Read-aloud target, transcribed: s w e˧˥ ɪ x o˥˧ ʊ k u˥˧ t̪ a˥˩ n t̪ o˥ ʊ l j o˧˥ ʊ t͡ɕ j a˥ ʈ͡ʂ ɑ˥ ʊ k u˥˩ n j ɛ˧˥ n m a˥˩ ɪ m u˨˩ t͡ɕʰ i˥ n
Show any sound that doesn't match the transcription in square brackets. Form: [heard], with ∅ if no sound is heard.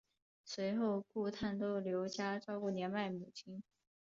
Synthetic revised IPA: s w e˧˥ ɪ x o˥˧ ʊ k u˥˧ [t̪ʰ] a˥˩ n t̪ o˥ ʊ l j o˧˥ ʊ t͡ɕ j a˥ ʈ͡ʂ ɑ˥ ʊ k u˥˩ n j ɛ˧˥ n m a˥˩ ɪ m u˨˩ t͡ɕʰ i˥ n

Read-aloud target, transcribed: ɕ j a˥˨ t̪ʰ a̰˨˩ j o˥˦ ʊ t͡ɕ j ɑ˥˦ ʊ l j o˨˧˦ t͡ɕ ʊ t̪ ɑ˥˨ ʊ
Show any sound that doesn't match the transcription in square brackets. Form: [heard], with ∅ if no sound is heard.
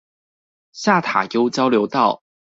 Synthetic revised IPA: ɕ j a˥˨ t̪ʰ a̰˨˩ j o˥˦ ʊ t͡ɕ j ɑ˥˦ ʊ l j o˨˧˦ [∅] ʊ t̪ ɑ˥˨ ʊ

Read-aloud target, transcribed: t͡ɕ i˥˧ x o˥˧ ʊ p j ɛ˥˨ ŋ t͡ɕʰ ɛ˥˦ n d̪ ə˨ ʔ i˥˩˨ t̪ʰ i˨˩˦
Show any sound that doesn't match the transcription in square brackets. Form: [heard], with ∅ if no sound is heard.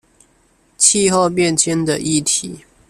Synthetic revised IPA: [t͡ɕʰ] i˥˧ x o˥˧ ʊ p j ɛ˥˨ [n] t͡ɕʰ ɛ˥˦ n d̪ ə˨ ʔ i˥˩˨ t̪ʰ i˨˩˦

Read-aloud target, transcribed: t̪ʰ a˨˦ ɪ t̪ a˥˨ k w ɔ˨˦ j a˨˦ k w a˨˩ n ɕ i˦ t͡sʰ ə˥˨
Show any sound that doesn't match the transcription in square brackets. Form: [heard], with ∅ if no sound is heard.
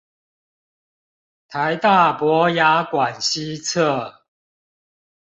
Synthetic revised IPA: t̪ʰ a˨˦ ɪ t̪ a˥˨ [p] w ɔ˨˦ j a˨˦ k w a˨˩ n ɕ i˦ t͡sʰ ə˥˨

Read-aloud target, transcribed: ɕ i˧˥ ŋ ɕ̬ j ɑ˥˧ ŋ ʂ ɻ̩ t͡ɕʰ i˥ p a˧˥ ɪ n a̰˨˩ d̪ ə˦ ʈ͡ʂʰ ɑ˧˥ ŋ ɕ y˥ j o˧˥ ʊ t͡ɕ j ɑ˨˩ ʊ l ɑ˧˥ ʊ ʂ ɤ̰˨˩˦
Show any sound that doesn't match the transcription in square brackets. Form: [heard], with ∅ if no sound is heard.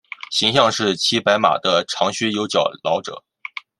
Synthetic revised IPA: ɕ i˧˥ ŋ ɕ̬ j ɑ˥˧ ŋ ʂ ɻ̩ t͡ɕʰ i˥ p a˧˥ ɪ [m] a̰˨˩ d̪ ə˦ ʈ͡ʂʰ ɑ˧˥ ŋ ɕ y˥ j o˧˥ ʊ t͡ɕ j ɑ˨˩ ʊ l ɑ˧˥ ʊ [ʈ͡ʂ] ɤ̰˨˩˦

